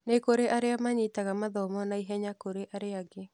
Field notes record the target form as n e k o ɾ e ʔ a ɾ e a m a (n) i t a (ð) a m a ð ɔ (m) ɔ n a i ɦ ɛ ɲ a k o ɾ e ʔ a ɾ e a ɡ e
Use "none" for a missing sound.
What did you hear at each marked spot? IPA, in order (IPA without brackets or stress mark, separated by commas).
ɲ, ɣ, m